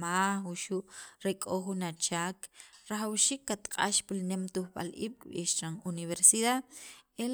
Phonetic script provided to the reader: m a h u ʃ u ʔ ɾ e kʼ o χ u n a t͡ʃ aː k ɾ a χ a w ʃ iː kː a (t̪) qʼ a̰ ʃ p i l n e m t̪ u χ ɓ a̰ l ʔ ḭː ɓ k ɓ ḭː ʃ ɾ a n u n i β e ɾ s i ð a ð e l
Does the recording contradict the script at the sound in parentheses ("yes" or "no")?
no